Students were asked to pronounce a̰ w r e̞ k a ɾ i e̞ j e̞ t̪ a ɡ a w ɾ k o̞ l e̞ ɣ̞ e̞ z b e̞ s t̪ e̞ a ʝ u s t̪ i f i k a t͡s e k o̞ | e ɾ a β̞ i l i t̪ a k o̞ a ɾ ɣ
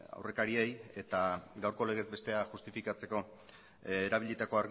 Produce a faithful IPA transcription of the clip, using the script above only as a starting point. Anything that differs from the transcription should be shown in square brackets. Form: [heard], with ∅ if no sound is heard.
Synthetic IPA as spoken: a̰ w r e̞ k a ɾ i e̞ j e̞ t̪ a ɡ a w ɾ k o̞ l e̞ ɣ̞ e̞ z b e̞ s t̪ e̞ a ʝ u s t̪ i f i k a t͡s e k o̞ | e ɾ a β̞ i [ʎ] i t̪ a k o̞ a ɾ ɣ

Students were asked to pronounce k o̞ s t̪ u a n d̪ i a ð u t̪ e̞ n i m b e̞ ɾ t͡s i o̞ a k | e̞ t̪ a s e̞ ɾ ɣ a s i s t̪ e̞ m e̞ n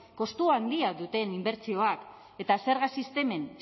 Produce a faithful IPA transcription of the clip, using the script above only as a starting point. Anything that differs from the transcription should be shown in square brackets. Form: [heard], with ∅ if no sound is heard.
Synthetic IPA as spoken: k o̞ s t̪ u a n d̪ i a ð u t̪ e̞ n i m b e̞ ɾ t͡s i o̞ a k | e̞ t̪ a s e̞ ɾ ɣ a s i s t̪ e̞ m e̞ n

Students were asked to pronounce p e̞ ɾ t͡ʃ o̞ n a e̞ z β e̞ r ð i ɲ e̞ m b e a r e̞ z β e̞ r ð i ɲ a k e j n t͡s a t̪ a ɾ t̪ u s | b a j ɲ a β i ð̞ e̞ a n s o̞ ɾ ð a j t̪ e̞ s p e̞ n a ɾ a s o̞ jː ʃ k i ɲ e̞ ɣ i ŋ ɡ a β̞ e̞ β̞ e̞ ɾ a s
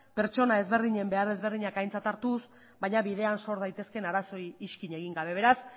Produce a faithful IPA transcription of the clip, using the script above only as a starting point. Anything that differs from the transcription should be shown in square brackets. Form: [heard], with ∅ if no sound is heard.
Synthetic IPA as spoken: p e̞ ɾ t͡ʃ o̞ n a e̞ z β e̞ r ð i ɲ e̞ m b e a r e̞ z β e̞ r ð i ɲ a k [a] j n t͡s a t̪ a ɾ t̪ u s | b a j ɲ a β i ð̞ e̞ a n s o̞ ɾ ð a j t̪ e̞ s [k] e̞ n a ɾ a s o̞ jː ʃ k i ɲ e̞ ɣ i ŋ ɡ a β̞ e̞ β̞ e̞ ɾ a s

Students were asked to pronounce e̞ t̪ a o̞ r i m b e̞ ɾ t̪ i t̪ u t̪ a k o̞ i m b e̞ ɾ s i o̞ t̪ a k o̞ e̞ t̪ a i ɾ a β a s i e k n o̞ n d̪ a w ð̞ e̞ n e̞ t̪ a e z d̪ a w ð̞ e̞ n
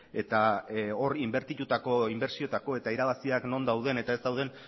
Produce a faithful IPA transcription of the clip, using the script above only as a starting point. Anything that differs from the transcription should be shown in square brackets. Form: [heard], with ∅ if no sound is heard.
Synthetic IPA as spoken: e̞ t̪ a o̞ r i m b e̞ ɾ t̪ i t̪ u t̪ a k o̞ i m b e̞ ɾ s i o̞ t̪ a k o̞ e̞ t̪ a i ɾ a β a s i [a] k n o̞ n d̪ a w ð̞ e̞ n e̞ t̪ a e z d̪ a w ð̞ e̞ n

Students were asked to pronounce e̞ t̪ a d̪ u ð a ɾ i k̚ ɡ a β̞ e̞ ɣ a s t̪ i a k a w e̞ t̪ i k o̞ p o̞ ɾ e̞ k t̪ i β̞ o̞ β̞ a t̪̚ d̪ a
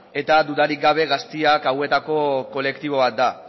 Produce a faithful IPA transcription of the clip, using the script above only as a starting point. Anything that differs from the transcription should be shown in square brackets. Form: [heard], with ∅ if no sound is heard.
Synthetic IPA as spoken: e̞ t̪ a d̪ u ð a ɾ i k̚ ɡ a β̞ e̞ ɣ a s t̪ i a k a w e̞ t̪ [a] k o̞ [k] o̞ [l] e̞ k t̪ i β̞ o̞ β̞ a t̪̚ d̪ a

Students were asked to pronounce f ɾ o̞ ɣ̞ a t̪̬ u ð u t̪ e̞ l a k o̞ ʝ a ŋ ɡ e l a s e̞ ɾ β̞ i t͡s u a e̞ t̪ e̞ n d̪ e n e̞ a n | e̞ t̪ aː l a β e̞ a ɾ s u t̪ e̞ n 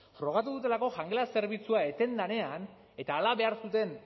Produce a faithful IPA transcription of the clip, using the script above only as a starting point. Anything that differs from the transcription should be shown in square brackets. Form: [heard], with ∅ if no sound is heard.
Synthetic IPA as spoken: f ɾ o̞ ɣ̞ a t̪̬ u ð u t̪ e̞ l a k o̞ ʝ a ŋ ɡ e l a s e̞ ɾ β̞ i t͡s u a e̞ t̪ e̞ n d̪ [a] n e̞ a n | e̞ t̪ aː l a β e̞ a ɾ s u t̪ e̞ n

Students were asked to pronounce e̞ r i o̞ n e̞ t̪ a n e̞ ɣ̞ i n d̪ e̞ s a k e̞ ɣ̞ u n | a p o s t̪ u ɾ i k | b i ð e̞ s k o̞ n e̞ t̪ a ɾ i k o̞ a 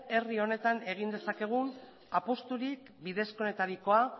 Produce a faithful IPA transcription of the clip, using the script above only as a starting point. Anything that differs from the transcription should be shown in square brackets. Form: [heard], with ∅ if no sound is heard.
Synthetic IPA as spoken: e̞ r i o̞ n e̞ t̪ a n e̞ ɣ̞ i n d̪ e̞ s a k e̞ ɣ̞ u n | a p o s t̪ u ɾ i k | b i ð e̞ s k o̞ n e̞ t̪ a ɾ i k o̞ a

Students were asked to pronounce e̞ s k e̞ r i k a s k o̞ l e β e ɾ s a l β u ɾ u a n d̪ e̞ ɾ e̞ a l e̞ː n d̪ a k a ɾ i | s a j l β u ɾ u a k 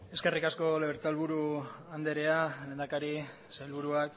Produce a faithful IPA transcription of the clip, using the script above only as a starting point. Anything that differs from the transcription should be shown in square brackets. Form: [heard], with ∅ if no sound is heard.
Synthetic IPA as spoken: e̞ s k e̞ r i k a s k o̞ l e β e ɾ [t͡s] a l β u ɾ u a n d̪ e̞ ɾ e̞ a l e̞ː n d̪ a k a ɾ i | s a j l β u ɾ u a k

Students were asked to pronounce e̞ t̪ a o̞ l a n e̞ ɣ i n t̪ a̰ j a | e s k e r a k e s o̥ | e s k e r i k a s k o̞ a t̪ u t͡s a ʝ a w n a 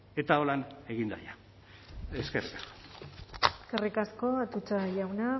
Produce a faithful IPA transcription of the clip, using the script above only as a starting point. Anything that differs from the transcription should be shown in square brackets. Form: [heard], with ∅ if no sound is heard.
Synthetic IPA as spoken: e̞ t̪ a o̞ l a n e̞ ɣ i n [d̪] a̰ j a | e s k e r [i] k [a] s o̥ | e s k e r i k a s k o̞ a t̪ u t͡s a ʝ a w n a

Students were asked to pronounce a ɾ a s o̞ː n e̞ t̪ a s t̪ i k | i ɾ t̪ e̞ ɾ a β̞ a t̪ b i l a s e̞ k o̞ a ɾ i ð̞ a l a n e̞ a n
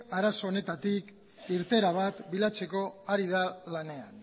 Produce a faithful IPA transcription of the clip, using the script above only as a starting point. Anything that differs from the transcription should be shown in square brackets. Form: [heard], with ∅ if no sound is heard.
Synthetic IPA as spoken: a ɾ a s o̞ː n e̞ t̪ a [∅] t̪ i k | i ɾ t̪ e̞ ɾ a β̞ a t̪ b i l a [t͡s] e̞ k o̞ a ɾ i ð̞ a l a n e̞ a n

